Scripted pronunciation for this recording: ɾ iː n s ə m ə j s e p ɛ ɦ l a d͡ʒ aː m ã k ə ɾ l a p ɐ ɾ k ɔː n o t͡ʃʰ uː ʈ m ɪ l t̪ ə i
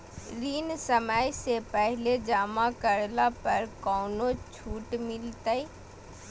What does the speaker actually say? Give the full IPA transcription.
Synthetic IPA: ɾ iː n s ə m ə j s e p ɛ ɦ l e d͡ʒ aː m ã k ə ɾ l a p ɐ ɾ k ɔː n o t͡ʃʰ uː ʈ m ɪ l t̪ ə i